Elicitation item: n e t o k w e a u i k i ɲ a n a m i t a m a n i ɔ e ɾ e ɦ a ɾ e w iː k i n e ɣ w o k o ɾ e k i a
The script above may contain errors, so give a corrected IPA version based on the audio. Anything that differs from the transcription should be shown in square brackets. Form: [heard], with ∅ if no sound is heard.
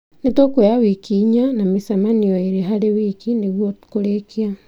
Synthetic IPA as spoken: n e t o k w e a [w] i k i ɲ a n a m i [s] a m a n i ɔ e ɾ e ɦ a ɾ e w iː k i n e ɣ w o k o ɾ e k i a